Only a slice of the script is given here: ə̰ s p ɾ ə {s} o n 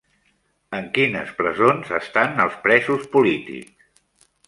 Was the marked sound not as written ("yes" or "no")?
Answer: yes